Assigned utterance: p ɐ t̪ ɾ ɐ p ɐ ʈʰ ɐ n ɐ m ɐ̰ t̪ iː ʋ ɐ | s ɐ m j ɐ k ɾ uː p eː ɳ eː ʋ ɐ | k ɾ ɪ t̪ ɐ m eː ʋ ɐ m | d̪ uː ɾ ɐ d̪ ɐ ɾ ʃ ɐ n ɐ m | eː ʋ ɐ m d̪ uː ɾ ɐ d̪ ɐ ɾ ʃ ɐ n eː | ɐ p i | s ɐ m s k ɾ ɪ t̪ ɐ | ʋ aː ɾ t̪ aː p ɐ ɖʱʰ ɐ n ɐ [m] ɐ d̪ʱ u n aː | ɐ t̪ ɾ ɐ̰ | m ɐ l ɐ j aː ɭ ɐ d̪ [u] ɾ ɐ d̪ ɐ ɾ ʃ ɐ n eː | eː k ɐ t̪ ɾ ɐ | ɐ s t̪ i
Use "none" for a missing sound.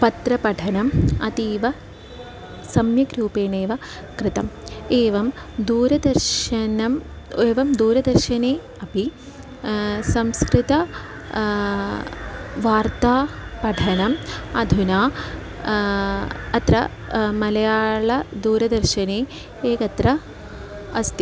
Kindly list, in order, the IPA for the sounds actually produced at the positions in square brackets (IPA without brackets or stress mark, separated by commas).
m, uː